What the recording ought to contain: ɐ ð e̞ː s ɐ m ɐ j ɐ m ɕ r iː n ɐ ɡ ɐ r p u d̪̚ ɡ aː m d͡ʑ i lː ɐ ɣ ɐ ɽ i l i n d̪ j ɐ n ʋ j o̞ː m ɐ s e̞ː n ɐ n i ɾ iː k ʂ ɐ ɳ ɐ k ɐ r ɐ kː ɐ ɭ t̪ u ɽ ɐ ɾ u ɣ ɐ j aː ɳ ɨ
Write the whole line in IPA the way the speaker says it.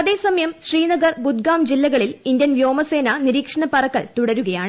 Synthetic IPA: ɐ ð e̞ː s ɐ m ɐ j ɐ m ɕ r iː n ɐ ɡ ɐ r b u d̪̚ ɡ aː m d͡ʑ i lː ɐ ɣ ɐ ɭ i l i n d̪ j ɐ n ʋ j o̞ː m ɐ s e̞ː n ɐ n i ɾ iː k ʂ ɐ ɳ ɐ p ɐ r ɐ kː ɐ ɭ t̪ u ɽ ɐ ɾ u ɣ ɐ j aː ɳ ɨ